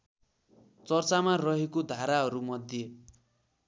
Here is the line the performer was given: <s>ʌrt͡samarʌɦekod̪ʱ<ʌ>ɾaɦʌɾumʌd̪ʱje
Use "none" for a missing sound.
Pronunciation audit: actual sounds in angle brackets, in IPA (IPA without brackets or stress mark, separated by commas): t͡s, a